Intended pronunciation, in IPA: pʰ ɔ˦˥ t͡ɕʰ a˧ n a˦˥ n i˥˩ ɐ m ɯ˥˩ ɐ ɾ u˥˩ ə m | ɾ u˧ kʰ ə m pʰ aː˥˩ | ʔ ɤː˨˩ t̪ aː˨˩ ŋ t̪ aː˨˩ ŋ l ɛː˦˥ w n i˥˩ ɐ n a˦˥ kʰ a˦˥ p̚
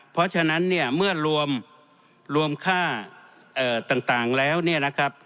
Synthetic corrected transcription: pʰ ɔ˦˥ t͡ɕʰ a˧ n a˦˥ nː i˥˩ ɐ m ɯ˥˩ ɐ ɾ u˧ ə m | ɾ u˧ ə m kʰ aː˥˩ | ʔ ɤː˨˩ t̪ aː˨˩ ŋ t̪ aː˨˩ ŋ l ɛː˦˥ w n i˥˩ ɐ n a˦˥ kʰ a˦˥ p̚

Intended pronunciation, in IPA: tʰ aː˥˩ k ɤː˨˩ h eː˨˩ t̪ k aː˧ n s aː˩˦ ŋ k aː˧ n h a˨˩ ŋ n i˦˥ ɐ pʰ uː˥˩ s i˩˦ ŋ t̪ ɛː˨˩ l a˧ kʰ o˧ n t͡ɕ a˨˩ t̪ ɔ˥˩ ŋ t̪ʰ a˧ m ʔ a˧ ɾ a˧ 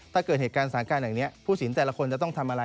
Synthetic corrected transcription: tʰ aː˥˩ k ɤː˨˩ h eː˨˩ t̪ k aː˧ n s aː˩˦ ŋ k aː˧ n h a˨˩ ŋ n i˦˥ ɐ pʰ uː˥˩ s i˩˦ n t̪ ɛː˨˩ l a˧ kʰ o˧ n t͡ɕ a˨˩ t̪ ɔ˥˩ ŋ t̪ʰ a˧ m ʔ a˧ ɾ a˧

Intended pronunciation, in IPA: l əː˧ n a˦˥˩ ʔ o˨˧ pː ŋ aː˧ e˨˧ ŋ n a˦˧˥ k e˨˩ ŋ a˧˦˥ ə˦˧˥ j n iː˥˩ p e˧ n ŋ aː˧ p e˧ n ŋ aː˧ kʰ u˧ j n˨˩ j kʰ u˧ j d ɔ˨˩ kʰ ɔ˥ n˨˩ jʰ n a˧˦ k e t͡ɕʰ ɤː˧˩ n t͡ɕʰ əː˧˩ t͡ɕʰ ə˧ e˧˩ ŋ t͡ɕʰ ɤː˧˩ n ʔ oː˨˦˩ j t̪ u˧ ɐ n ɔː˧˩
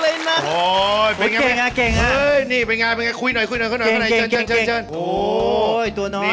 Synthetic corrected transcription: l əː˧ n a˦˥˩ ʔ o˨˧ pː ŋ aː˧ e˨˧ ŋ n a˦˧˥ k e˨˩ ŋ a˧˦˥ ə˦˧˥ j n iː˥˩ p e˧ n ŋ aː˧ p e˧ n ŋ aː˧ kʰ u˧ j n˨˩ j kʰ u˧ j n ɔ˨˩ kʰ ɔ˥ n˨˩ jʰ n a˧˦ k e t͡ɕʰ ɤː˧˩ n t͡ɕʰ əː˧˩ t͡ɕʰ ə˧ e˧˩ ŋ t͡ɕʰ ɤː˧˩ n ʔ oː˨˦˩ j t̪ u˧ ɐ n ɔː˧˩

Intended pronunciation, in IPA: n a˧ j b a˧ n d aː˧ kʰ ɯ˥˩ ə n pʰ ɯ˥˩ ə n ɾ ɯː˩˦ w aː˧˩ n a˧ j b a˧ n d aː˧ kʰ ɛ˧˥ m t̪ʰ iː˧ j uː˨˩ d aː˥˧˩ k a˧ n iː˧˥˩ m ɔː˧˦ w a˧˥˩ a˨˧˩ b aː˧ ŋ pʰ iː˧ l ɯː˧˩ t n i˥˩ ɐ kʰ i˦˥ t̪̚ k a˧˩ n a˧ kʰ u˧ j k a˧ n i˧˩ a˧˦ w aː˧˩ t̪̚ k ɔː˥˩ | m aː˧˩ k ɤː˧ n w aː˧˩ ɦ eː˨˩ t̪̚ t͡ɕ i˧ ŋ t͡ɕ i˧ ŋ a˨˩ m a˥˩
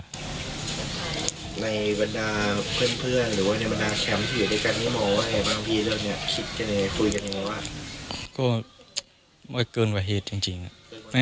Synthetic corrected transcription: n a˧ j b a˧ n d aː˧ pʰ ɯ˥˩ ə n pʰ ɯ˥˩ ə n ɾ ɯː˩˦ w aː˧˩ n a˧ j b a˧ n d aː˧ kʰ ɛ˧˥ m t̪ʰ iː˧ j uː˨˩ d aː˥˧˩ k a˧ n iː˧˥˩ m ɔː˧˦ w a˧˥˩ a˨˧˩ b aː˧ ŋ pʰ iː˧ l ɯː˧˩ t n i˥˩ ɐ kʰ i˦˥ t̪̚ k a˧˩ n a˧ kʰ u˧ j k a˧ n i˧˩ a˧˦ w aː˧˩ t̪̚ k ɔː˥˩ | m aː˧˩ k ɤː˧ n w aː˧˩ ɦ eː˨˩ t̪̚ t͡ɕ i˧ ŋ t͡ɕ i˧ ŋ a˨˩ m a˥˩

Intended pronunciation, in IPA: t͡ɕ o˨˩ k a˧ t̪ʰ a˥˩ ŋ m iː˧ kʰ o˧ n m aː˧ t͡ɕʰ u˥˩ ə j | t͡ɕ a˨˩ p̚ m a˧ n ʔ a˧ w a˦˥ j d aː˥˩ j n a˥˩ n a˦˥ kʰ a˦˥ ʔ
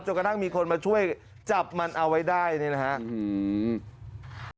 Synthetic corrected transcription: t͡ɕ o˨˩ k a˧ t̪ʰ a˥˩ ŋ m iː˧ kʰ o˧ n m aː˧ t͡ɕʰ u˥˩ ə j | t͡ɕ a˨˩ p̚ m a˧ n ʔ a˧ w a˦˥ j d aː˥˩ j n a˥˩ n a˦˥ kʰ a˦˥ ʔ

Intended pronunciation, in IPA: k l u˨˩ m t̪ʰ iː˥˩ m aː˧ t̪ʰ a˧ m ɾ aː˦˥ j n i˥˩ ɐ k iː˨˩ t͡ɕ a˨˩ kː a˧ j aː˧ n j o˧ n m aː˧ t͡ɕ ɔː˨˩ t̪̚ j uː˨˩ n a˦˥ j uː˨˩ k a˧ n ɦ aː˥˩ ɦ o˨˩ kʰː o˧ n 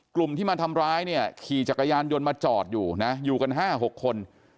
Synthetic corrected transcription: k l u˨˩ m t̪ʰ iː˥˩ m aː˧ t̪ʰ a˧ m ɾ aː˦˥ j n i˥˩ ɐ kʰ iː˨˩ t͡ɕ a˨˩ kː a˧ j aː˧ n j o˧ n m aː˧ t͡ɕ ɔː˨˩ t̪̚ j uː˨˩ n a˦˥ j uː˨˩ k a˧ n ɦ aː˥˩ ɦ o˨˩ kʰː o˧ n

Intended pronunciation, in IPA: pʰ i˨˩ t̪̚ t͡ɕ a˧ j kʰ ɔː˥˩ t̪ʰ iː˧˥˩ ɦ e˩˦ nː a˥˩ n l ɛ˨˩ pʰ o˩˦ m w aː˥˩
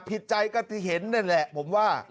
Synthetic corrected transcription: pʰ i˨˩ t̪̚ t͡ɕ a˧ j k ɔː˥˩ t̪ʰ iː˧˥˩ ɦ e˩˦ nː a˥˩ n l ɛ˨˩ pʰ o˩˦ m w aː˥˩

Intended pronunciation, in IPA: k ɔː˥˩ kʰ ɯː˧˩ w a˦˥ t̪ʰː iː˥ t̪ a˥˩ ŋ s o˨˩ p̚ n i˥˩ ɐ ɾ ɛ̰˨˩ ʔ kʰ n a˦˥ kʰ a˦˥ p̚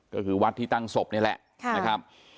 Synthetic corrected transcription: k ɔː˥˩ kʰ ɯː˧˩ w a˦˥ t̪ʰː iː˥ t̪ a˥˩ ŋ s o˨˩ p̚ n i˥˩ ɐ l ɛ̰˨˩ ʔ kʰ n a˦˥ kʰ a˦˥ p̚

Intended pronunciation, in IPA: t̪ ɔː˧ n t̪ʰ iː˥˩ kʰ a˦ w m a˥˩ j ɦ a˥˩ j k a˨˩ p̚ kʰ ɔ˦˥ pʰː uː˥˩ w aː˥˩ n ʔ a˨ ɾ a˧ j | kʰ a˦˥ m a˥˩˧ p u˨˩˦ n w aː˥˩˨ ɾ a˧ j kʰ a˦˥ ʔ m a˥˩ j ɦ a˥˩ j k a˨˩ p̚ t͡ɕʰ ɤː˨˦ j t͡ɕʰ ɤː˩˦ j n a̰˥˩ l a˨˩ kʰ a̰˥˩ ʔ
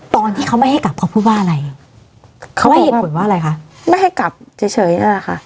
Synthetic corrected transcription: t̪ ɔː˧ n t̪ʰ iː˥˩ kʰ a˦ w m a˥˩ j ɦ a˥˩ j k a˨˩ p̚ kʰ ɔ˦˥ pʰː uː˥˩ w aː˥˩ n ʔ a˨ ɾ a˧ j | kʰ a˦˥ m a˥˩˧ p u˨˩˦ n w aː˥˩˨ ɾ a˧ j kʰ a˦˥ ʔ m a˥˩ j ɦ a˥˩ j k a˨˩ p̚ t͡ɕʰ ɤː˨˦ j t͡ɕʰ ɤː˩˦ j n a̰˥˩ l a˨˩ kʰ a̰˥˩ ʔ

